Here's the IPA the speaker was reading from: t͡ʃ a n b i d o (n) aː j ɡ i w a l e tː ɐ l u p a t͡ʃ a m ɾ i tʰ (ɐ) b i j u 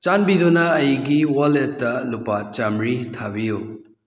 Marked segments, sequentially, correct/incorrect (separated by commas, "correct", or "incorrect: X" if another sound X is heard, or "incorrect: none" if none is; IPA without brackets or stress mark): correct, incorrect: a